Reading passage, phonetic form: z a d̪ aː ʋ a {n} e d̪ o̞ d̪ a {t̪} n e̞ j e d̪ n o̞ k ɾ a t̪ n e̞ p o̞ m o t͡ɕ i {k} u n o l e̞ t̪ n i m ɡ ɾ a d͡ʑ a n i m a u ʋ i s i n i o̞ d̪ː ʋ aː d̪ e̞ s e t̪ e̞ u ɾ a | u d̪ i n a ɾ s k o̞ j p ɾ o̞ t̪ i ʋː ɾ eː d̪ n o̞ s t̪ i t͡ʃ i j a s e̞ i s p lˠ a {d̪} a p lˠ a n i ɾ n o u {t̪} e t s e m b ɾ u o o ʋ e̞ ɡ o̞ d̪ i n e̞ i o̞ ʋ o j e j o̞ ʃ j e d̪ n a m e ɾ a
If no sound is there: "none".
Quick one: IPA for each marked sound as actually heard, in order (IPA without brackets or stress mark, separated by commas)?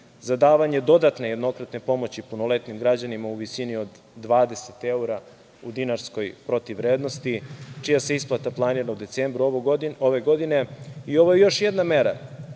ɲ, t̪, p, t̪, d̪